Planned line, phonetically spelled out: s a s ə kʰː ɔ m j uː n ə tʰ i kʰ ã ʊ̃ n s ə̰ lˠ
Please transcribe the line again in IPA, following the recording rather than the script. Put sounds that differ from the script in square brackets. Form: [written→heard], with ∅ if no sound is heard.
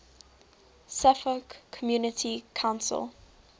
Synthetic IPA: s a [s→f] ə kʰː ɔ m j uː n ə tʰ i kʰ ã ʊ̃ n s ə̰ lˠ